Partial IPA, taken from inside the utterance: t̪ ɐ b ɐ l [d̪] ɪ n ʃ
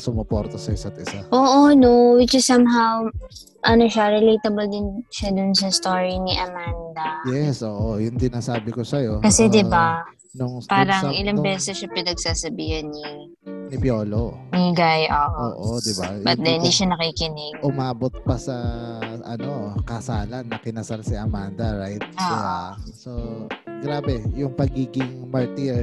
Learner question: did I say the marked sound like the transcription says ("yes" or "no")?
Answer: yes